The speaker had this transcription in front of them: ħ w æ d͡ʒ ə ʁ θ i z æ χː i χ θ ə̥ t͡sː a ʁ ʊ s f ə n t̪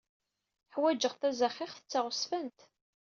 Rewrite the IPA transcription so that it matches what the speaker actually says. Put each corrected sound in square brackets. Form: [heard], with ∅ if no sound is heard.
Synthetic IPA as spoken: ħ w æ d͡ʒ ə ʁ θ [æ] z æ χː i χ θ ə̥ t͡sː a ʁ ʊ s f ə n t̪